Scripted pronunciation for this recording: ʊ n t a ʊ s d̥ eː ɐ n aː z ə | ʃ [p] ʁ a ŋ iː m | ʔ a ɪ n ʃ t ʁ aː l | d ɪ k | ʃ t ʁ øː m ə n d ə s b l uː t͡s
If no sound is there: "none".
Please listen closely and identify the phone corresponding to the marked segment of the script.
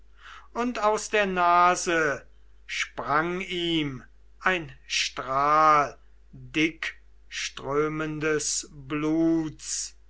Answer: p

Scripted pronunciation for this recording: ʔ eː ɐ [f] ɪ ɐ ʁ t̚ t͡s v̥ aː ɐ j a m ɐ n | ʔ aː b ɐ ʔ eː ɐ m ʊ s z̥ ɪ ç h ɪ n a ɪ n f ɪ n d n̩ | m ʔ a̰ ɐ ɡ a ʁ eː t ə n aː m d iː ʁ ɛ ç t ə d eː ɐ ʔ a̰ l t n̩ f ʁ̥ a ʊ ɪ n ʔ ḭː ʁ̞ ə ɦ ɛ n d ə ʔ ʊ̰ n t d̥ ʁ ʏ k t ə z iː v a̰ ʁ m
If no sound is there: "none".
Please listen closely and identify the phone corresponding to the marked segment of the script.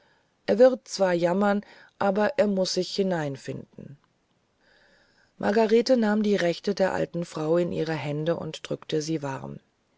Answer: v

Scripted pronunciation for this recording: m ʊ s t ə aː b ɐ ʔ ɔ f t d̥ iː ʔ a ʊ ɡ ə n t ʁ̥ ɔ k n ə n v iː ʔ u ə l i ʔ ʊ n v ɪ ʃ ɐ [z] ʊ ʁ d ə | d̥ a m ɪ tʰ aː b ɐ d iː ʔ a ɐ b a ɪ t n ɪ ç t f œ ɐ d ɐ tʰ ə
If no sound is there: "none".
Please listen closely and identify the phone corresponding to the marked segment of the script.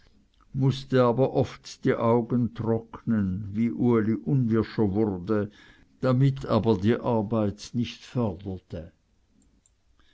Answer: v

